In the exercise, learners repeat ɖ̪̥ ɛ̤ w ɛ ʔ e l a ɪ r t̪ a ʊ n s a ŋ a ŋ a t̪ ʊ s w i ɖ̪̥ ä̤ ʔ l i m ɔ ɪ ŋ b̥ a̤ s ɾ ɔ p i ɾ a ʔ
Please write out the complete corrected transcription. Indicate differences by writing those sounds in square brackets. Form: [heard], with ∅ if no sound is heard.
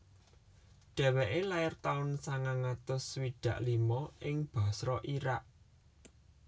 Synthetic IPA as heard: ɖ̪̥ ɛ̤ w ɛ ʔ e l a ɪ r t̪ a ʊ n s a ŋ a ŋ a t̪ ʊ s w i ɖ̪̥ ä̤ ʔ l i m ɔ ɪ ŋ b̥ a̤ s ɾ ɔ [ʔ] i ɾ a ʔ